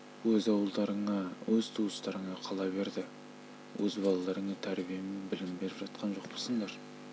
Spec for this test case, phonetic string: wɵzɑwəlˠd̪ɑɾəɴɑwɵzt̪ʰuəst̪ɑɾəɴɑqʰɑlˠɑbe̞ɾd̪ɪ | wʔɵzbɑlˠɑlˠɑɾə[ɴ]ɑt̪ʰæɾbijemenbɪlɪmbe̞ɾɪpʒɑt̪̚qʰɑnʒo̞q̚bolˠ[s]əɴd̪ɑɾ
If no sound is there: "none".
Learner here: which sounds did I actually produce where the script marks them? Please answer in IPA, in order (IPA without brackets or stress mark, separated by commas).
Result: ɴ, s